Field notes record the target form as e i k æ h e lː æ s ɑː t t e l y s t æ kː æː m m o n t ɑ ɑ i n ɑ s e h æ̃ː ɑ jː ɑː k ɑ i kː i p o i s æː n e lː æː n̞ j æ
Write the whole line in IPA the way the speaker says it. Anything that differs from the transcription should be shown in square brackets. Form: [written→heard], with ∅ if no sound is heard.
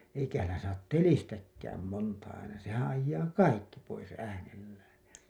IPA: e i k æ h [e→æ] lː æ s ɑː t t e l [y→i] s t æ kː æː m m o n t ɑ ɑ i n ɑ s e h æ̃ː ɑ jː ɑː k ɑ i kː i p o i s æː n e lː æː n̞ j æ